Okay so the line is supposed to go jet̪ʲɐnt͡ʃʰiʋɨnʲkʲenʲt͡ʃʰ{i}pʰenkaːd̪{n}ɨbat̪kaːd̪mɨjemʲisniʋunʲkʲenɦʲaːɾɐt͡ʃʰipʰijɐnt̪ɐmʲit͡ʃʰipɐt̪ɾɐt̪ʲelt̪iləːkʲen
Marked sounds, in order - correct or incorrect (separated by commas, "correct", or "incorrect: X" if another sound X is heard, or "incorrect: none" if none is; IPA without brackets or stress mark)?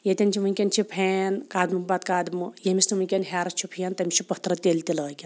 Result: correct, incorrect: m